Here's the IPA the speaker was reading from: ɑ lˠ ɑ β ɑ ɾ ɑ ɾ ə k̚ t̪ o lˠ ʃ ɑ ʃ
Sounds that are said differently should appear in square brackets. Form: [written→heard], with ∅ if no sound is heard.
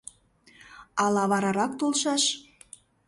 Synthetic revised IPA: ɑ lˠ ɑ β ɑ ɾ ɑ ɾ [ə→ɑ] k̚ t̪ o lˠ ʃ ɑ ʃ